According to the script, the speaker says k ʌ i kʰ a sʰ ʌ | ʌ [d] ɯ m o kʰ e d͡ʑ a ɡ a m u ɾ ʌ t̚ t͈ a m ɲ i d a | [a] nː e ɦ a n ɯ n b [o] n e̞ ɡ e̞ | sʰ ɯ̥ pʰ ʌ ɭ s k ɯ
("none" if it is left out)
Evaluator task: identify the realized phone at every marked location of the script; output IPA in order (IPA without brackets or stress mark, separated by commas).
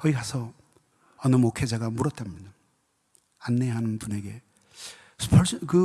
n, a, u